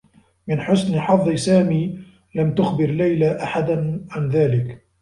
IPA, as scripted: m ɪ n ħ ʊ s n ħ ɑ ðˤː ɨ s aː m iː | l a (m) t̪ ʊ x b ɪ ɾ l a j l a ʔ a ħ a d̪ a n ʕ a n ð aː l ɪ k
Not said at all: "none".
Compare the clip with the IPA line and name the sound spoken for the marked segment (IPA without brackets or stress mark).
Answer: m